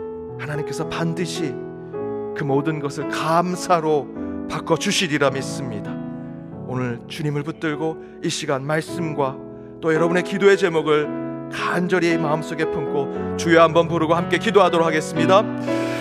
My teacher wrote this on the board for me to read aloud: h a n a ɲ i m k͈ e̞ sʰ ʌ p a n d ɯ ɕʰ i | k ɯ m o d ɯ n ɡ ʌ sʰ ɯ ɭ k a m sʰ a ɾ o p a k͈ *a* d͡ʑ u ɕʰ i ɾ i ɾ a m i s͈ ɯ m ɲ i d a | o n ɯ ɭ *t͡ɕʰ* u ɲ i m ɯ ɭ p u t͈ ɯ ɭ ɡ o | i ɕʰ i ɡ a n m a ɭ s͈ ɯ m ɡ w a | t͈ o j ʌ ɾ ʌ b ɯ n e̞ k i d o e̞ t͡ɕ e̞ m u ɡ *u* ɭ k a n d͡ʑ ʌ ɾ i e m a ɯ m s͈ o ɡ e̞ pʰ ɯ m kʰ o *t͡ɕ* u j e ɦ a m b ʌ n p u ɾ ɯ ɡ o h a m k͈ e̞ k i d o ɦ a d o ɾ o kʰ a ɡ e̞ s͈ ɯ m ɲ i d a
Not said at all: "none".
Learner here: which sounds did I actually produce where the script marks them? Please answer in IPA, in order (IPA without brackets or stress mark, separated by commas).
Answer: ʌ, t͡ɕ, ɯ, t͡ɕ